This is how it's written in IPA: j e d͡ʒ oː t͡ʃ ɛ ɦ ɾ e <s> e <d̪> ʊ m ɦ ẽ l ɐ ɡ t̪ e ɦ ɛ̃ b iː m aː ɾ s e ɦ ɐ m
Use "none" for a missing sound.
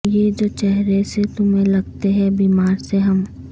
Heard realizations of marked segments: s, t̪

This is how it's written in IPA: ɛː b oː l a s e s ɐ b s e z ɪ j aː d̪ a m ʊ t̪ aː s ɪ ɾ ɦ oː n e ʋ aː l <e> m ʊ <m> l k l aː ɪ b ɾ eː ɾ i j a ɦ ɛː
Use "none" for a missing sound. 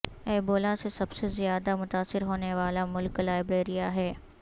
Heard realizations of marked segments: a, none

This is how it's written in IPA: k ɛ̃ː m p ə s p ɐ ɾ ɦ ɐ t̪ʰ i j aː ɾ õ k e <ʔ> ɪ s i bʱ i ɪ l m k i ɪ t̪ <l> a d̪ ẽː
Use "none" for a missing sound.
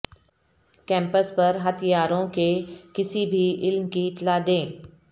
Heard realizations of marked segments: k, l

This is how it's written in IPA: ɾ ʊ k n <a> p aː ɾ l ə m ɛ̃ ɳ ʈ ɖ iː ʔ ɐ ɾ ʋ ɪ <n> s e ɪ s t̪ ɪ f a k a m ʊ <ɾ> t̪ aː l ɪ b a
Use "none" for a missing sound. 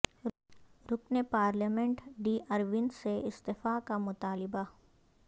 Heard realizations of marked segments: e, n, none

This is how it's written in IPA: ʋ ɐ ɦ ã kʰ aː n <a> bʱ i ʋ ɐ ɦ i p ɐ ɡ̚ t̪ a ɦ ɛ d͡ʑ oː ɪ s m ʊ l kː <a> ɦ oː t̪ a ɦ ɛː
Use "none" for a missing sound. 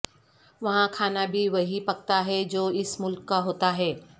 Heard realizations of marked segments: a, a

